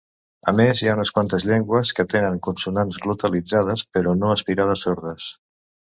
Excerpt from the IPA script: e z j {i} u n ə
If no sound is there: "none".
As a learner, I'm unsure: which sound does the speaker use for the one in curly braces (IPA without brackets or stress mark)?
a